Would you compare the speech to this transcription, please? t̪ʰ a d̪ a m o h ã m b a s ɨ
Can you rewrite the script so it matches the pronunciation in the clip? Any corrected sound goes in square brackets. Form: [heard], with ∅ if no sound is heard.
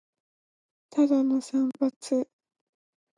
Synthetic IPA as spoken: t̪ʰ a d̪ a [n] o [s] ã m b a [t͡s] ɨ